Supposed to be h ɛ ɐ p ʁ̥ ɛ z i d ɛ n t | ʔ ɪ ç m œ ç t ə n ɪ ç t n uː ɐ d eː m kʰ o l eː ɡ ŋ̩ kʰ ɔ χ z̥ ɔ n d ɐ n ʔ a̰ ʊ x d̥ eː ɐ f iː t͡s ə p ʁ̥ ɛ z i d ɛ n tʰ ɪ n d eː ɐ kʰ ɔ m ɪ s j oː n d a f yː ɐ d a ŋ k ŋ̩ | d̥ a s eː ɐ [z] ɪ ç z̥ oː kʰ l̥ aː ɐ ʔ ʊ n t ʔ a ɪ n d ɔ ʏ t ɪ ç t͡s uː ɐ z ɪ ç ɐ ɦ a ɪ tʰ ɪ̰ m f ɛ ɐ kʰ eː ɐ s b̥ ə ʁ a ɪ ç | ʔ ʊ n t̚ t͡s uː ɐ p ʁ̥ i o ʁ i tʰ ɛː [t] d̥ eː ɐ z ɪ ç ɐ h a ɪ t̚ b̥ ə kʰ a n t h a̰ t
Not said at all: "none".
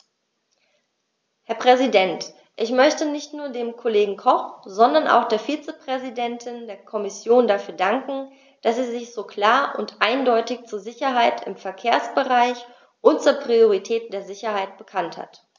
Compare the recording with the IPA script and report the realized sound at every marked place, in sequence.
z, t

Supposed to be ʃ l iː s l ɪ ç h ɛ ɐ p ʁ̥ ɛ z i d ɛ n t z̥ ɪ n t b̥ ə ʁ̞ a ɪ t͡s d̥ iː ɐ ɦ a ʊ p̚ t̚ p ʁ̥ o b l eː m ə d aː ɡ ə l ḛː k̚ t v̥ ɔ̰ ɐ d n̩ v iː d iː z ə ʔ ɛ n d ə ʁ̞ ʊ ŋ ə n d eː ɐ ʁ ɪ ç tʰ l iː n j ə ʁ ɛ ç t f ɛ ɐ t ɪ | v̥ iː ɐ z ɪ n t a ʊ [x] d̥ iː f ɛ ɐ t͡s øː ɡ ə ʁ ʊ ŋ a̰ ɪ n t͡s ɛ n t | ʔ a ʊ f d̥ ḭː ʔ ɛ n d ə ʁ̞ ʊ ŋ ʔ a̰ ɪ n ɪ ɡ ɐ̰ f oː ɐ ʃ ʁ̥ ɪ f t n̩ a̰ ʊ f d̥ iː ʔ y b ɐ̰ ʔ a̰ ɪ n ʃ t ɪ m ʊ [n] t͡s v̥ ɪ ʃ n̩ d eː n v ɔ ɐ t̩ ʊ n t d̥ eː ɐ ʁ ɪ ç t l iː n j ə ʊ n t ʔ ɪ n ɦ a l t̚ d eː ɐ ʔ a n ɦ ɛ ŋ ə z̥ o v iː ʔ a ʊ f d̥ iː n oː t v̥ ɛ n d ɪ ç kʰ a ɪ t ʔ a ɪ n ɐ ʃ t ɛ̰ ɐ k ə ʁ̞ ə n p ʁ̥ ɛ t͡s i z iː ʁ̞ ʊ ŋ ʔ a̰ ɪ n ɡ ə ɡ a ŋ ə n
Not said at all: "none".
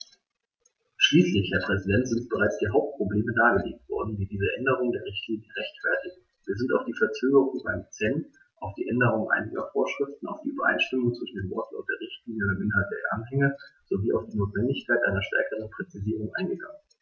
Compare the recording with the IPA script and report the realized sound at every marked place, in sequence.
f, ŋ

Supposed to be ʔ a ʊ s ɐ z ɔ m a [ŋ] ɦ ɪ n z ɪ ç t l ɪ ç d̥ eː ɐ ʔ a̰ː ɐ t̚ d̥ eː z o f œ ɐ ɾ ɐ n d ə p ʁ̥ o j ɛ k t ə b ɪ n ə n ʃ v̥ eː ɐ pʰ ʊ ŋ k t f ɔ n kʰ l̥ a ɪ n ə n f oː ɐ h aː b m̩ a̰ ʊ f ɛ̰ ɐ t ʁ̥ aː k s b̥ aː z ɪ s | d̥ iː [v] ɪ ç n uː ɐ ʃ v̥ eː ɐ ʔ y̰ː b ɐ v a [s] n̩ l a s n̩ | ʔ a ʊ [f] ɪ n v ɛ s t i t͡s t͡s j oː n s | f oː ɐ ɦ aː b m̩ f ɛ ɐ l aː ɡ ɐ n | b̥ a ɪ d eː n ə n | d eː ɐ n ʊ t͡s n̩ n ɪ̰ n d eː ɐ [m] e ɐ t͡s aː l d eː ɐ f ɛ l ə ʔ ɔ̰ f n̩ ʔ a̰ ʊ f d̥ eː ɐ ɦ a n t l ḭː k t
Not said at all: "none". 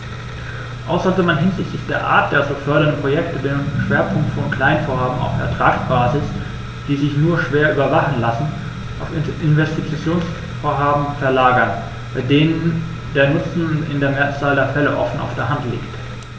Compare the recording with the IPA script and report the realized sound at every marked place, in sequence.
n, z, χ, f, m

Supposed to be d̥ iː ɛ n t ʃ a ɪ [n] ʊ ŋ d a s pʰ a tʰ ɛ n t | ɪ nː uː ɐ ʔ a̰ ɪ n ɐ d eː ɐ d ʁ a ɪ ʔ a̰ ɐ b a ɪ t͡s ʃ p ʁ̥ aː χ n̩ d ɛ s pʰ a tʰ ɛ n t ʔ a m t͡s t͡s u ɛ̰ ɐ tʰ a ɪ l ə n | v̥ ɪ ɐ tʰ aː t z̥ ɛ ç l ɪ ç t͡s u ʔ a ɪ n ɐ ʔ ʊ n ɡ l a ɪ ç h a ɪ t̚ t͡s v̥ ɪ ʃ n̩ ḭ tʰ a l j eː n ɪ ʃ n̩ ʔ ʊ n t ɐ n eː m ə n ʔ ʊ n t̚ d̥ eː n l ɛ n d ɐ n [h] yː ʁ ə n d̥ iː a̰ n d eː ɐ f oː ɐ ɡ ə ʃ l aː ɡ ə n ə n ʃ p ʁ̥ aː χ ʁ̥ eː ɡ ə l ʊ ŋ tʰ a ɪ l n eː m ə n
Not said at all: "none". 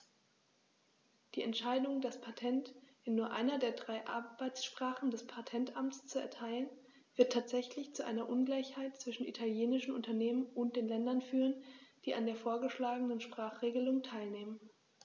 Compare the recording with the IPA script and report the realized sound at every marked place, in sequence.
d, f

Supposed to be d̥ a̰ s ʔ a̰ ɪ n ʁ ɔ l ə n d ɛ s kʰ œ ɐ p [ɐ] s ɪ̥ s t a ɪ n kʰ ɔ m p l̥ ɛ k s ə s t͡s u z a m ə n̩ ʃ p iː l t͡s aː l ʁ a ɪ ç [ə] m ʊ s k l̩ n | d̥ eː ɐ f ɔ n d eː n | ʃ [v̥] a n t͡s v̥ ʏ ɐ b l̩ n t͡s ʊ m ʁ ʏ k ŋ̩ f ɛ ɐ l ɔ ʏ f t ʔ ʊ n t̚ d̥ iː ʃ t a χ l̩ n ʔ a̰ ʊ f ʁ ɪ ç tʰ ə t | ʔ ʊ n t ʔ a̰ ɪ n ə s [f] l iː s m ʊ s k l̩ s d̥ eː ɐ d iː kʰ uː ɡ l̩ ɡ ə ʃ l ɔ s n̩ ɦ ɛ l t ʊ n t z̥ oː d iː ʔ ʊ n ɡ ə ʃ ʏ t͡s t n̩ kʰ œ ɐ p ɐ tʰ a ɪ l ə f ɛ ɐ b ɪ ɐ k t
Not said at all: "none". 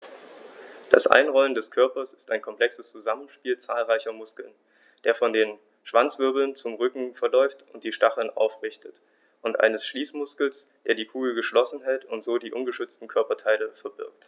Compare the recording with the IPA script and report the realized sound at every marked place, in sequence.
ɐ, ɐ, v̥, ʃ

